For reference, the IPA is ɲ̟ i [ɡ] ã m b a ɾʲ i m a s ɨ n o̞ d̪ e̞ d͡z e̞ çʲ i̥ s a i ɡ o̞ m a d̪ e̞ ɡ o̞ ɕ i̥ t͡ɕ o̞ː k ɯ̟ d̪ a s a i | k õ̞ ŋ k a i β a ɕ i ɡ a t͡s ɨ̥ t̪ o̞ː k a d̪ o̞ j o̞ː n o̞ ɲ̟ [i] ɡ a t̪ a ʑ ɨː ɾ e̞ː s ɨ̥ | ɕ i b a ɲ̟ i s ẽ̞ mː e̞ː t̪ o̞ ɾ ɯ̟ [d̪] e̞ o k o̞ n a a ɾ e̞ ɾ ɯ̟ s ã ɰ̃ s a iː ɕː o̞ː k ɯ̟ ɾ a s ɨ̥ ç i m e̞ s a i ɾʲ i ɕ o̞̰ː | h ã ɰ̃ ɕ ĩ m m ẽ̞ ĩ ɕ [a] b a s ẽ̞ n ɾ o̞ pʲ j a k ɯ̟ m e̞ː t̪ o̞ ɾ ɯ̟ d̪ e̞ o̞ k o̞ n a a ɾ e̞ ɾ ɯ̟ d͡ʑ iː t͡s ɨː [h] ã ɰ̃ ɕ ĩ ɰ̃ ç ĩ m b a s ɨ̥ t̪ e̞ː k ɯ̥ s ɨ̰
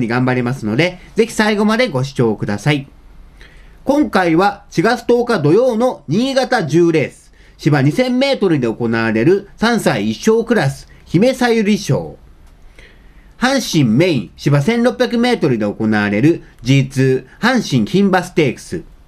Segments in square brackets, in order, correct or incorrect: correct, incorrect: iː, correct, incorrect: i, correct

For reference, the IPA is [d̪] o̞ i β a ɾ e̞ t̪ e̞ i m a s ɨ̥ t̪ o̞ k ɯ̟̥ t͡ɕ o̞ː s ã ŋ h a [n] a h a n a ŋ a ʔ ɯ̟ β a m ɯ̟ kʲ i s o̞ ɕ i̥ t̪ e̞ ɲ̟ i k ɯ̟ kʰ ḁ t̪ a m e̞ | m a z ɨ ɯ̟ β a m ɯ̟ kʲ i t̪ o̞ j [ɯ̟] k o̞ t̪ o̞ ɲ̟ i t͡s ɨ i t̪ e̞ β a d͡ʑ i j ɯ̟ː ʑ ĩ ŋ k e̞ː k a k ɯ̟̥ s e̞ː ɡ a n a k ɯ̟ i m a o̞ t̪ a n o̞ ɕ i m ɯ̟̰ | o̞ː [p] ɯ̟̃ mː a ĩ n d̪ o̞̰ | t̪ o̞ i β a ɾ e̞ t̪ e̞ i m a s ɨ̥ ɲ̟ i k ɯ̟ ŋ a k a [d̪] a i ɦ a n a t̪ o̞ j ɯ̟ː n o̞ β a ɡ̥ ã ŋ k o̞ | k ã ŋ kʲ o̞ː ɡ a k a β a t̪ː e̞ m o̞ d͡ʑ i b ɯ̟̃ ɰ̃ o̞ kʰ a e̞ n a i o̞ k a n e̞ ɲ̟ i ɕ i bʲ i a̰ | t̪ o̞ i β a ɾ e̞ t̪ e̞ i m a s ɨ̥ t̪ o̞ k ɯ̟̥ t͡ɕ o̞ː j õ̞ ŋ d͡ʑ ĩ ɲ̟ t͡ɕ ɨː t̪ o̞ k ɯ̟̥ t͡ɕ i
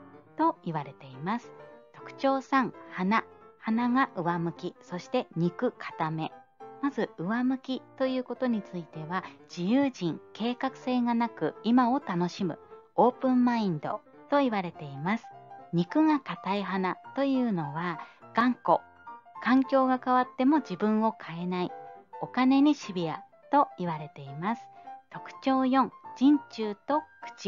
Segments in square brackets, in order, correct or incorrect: incorrect: t̪, correct, incorrect: ɯ̟ː, correct, incorrect: t̪

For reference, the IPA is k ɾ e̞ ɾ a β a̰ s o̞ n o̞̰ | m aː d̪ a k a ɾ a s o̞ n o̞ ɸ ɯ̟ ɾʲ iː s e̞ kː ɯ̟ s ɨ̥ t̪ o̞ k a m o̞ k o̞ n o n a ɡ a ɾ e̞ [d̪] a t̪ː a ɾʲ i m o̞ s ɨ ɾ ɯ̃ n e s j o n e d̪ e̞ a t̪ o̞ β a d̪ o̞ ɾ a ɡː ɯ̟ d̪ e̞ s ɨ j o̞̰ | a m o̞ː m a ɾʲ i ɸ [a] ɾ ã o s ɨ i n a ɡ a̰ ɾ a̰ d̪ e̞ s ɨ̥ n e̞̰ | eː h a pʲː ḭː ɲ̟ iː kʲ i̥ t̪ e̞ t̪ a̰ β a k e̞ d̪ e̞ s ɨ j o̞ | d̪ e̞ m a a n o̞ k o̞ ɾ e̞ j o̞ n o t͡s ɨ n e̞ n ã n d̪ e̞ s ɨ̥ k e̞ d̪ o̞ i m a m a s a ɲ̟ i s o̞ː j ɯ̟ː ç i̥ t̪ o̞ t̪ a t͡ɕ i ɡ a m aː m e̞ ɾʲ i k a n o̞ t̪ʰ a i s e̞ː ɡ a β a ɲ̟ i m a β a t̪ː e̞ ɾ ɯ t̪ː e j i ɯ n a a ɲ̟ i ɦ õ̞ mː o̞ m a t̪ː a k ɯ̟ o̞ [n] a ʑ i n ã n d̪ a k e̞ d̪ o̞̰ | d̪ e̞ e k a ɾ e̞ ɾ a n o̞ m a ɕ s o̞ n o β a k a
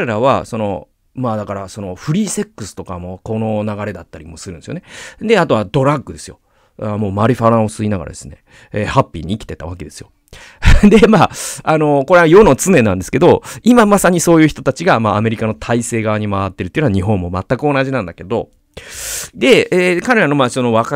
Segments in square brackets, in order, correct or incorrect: correct, correct, correct

